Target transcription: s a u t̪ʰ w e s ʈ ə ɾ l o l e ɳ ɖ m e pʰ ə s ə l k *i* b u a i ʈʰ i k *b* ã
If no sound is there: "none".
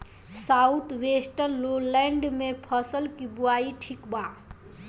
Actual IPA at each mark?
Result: i, b

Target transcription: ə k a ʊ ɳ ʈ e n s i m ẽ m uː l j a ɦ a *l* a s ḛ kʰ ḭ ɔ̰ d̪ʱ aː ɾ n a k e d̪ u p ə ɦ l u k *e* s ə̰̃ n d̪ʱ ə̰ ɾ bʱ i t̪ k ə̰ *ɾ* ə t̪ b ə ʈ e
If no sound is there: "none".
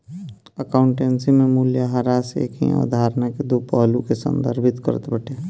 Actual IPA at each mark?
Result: ɾ, e, ɾ

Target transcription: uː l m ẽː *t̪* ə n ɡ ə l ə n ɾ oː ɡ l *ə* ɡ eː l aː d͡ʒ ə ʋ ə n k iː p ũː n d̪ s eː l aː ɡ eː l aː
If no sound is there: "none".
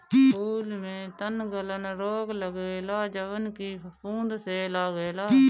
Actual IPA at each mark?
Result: t̪, ə

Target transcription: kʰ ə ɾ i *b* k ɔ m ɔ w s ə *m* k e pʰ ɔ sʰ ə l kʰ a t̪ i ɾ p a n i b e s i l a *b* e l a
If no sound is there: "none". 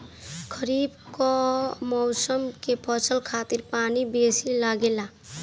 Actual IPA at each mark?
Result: b, m, ɡ

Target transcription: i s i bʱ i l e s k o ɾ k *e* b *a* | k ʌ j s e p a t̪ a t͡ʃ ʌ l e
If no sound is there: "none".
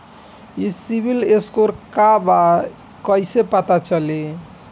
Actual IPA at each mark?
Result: a, a

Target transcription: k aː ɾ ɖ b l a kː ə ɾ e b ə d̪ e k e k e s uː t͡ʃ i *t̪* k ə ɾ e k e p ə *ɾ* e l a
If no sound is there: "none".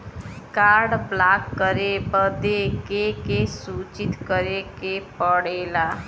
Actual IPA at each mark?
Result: t̪, ɽ

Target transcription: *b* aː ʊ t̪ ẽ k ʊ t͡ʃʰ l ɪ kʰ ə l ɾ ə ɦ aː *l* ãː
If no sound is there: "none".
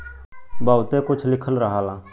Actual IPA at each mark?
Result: b, l

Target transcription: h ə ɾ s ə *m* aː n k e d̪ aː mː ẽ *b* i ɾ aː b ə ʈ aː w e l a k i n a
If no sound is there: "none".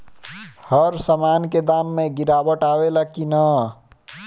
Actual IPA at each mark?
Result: m, ɡ

